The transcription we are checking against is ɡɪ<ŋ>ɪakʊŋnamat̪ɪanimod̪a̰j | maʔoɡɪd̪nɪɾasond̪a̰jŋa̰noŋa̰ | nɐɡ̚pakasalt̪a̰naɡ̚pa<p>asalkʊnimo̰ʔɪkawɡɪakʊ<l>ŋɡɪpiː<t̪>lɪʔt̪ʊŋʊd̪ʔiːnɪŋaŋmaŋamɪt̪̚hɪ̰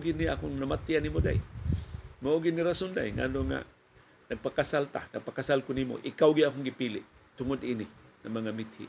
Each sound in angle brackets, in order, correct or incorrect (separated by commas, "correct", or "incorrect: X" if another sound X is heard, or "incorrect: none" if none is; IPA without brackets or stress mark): incorrect: n, incorrect: k, incorrect: none, incorrect: none